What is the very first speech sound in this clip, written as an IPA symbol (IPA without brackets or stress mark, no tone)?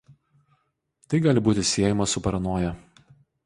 t̪